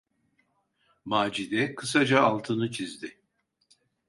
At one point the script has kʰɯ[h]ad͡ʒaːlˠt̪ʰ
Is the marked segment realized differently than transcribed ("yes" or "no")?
yes